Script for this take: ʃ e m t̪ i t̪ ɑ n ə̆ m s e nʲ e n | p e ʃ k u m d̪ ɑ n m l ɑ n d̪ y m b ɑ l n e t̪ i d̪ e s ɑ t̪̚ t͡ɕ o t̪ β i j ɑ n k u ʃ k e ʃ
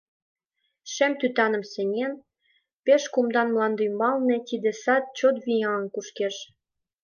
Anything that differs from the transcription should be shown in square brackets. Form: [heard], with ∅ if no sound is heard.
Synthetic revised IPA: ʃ e m t̪ [y] t̪ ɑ n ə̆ m s e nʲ e n | p e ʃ k u m d̪ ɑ n m l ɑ n d̪ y m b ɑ l n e t̪ i d̪ e s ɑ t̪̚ t͡ɕ o t̪ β i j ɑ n k u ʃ k e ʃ